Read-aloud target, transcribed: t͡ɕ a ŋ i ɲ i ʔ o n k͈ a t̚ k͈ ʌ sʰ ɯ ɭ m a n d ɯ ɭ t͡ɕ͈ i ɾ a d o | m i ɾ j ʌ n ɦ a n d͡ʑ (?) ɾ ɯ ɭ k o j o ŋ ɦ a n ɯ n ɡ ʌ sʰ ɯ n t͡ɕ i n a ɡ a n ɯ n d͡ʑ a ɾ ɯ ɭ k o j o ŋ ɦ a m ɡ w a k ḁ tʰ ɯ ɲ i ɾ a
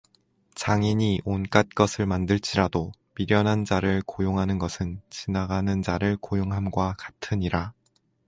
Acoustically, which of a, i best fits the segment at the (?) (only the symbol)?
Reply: a